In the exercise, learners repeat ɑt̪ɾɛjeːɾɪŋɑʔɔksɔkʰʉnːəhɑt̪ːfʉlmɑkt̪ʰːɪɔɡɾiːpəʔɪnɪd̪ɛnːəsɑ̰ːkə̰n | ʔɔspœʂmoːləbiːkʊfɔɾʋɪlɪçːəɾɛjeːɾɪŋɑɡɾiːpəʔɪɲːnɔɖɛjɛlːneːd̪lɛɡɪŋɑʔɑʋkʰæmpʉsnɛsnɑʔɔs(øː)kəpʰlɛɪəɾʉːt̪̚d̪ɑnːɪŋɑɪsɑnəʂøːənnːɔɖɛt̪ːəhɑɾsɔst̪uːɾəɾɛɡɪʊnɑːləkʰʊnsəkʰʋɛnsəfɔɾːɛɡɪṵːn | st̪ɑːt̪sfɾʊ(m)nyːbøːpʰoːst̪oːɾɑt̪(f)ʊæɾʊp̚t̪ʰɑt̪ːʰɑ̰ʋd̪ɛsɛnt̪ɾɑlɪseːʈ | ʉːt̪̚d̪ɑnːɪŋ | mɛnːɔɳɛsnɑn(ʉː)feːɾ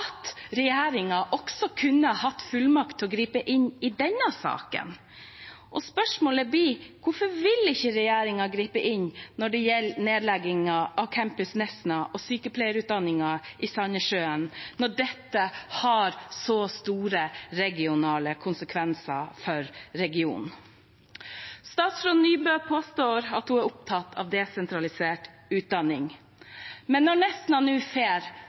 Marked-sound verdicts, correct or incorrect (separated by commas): incorrect, incorrect, incorrect, correct